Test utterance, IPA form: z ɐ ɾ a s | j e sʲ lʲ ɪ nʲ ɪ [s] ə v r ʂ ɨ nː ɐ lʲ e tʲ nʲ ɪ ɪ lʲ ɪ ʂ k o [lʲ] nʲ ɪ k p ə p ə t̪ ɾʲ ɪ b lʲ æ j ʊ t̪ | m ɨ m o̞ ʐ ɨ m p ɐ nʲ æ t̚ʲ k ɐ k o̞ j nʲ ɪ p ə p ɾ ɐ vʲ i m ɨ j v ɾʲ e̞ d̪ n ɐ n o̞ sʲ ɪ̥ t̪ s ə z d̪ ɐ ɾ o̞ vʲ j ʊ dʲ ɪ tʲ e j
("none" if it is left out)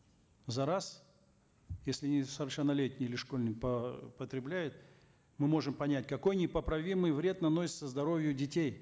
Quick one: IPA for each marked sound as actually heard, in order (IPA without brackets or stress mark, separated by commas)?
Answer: s, lʲ